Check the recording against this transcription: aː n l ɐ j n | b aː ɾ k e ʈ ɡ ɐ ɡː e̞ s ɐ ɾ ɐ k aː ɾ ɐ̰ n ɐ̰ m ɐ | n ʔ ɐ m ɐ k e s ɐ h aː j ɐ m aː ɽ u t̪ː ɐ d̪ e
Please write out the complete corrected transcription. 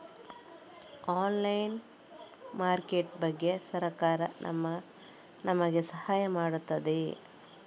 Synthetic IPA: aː n l ɐ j n | m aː ɾ k e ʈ b ɐ ɡː e̞ s ɐ ɾ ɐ k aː ɾ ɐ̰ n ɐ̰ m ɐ | n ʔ ɐ m ɐ ɡ e s ɐ h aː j ɐ m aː ɽ u t̪ː ɐ d̪ e